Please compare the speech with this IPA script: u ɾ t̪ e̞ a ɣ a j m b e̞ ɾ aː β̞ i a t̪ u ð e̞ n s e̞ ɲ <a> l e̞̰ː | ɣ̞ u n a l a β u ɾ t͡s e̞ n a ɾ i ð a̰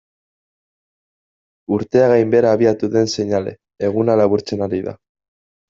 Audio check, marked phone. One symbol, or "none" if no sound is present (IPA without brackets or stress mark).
a